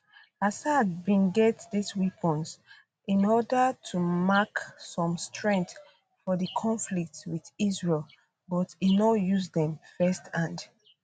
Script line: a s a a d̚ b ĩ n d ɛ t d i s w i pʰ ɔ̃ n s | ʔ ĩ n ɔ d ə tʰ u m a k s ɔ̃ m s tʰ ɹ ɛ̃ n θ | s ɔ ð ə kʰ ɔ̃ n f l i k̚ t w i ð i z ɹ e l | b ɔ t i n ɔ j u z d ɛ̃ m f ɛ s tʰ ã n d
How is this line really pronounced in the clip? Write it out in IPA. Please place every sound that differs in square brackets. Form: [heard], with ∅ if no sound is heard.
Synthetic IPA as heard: a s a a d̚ b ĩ n [ɡ] ɛ t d i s w i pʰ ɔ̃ n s | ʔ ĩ n ɔ d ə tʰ u m a k s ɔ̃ m s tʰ ɹ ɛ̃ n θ | [f] ɔ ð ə kʰ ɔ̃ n f l i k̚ t w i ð i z ɹ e l | b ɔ t i n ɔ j u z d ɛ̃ m f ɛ s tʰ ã n d